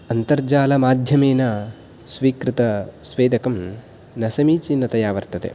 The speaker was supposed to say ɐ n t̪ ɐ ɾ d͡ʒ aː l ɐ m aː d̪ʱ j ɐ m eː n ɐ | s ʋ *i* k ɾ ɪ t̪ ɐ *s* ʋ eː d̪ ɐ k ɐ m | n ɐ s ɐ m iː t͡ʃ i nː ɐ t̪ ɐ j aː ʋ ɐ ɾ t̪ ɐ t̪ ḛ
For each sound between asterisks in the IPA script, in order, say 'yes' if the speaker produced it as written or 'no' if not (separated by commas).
no, yes